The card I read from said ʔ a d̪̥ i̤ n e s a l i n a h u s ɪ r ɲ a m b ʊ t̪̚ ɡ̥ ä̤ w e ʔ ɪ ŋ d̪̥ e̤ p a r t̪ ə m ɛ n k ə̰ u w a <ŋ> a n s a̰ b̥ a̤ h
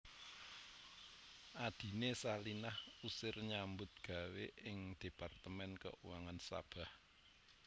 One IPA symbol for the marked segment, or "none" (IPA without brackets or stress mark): ŋ